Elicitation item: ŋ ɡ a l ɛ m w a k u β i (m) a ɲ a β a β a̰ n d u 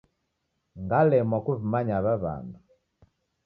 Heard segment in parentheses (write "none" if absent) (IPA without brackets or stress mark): m